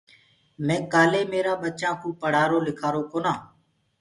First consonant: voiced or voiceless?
voiced